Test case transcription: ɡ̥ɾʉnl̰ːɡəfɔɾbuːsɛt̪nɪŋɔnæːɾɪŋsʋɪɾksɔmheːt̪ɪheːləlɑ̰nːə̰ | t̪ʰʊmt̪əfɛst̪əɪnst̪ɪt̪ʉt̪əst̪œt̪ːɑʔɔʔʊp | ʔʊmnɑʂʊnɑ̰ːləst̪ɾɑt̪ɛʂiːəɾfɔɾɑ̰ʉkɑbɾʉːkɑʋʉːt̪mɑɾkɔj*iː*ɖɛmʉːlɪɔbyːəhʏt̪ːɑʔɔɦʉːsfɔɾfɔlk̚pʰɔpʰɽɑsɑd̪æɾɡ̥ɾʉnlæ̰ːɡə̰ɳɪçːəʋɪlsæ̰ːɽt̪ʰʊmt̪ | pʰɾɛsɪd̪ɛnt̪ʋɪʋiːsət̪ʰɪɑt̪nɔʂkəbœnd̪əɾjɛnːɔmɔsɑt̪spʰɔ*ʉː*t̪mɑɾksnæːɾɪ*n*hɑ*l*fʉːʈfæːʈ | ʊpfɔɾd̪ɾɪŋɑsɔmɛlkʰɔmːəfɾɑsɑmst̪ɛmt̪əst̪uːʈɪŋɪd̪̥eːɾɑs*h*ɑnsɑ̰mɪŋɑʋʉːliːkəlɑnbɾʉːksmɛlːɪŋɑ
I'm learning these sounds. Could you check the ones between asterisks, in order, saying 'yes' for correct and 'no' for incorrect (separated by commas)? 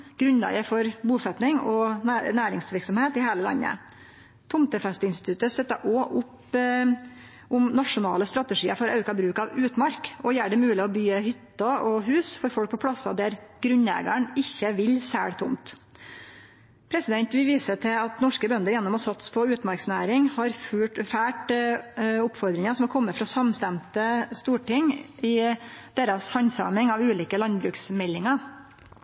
no, yes, no, no, yes